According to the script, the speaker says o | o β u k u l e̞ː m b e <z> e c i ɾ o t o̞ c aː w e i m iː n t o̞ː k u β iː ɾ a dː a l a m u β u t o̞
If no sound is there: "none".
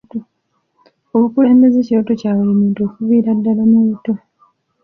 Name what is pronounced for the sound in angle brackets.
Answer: z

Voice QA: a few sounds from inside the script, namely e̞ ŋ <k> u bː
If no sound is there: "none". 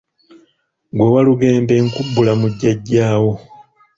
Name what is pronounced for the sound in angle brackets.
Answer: k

